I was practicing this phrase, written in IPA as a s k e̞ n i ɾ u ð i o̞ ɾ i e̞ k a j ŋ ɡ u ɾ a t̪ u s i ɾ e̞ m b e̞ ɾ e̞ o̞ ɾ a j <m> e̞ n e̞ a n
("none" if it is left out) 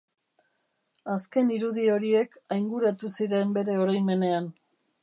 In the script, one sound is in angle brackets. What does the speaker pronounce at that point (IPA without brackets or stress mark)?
m